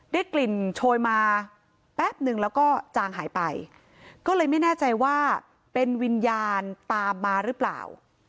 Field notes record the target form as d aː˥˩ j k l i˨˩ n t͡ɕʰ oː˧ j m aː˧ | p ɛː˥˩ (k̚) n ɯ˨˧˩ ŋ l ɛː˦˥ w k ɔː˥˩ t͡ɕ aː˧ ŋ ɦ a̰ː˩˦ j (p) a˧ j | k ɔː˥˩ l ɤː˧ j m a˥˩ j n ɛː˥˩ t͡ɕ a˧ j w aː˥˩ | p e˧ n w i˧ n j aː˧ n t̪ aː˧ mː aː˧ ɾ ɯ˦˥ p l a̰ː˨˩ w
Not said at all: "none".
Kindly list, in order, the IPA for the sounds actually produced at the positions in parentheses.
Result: p̚, p

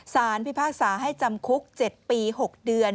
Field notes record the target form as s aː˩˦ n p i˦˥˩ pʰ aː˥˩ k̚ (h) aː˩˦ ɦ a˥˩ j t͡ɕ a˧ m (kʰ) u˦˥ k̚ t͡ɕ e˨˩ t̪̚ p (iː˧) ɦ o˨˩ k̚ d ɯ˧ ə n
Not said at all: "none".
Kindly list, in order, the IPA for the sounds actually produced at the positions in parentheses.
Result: s, kʰ, iː˧

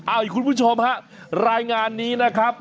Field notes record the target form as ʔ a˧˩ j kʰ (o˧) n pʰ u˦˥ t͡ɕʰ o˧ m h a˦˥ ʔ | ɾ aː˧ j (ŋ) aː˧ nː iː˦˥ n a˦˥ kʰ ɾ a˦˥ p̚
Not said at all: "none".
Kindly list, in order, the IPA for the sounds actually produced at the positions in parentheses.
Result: u˧, ŋ

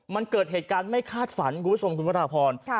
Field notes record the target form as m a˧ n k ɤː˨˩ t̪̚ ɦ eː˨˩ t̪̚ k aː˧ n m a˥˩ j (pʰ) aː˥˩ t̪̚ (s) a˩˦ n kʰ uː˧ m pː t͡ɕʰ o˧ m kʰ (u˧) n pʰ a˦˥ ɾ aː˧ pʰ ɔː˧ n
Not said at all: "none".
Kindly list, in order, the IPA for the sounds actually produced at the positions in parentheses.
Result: kʰ, f, u˧

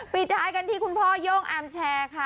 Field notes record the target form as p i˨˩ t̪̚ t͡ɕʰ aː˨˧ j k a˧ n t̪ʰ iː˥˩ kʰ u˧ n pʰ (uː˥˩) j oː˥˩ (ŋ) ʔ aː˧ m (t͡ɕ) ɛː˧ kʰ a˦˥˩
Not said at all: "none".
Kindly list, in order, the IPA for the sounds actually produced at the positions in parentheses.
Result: ɔː˥˩, ŋ, t͡ɕʰ

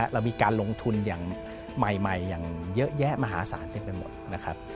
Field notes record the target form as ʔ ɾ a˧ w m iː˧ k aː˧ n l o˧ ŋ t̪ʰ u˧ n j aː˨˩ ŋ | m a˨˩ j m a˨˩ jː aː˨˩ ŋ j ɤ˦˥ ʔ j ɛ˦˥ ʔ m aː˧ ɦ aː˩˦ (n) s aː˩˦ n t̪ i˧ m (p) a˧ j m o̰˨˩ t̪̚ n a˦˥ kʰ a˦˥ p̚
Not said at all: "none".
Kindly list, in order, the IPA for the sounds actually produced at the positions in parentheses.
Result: none, p

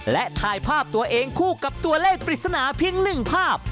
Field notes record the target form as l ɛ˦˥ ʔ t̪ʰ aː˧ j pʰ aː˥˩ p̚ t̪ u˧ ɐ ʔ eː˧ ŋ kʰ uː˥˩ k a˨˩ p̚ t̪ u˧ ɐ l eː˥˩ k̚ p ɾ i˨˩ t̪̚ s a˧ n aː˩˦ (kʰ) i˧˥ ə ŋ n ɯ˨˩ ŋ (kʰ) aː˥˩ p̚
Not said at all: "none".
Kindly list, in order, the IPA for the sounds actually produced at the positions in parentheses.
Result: pʰ, pʰ

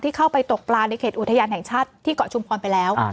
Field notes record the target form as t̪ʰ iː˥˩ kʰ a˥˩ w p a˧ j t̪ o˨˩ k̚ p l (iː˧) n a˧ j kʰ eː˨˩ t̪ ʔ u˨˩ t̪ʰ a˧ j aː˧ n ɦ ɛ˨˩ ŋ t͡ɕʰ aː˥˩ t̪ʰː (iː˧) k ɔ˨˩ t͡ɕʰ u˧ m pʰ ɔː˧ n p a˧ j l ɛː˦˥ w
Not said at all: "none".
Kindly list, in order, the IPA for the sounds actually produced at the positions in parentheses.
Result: aː˧, iː˥˩

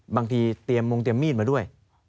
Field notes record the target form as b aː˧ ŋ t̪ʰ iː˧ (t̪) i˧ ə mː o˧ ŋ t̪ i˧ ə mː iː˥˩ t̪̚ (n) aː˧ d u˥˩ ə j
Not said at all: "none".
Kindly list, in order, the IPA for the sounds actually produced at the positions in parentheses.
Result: t̪, m

